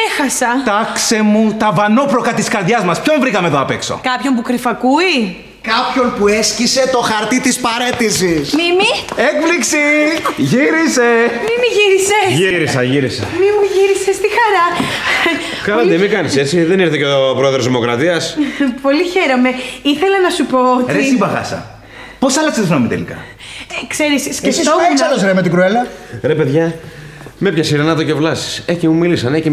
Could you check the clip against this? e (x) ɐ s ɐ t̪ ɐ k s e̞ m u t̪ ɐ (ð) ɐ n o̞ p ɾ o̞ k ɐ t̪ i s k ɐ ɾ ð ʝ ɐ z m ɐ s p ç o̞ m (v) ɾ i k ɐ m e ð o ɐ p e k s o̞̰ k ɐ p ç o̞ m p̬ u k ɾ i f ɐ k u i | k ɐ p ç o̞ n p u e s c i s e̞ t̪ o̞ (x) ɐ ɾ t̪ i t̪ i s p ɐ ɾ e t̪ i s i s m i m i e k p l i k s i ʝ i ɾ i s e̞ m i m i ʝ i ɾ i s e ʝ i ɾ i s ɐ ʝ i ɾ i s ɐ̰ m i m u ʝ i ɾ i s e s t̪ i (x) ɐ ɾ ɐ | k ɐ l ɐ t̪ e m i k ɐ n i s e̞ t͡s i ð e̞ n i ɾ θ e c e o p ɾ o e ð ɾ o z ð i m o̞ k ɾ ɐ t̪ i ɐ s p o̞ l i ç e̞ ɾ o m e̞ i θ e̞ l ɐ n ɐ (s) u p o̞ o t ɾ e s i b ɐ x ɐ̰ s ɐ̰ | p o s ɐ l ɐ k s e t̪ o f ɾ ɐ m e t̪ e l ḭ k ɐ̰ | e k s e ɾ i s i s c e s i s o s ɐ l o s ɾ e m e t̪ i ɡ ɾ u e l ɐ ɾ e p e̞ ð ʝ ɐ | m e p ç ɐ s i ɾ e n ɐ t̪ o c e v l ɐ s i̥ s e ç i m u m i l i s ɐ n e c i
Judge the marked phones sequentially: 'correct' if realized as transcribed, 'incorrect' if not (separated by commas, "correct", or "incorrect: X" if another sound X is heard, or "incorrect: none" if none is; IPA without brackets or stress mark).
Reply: correct, incorrect: v, correct, correct, correct, correct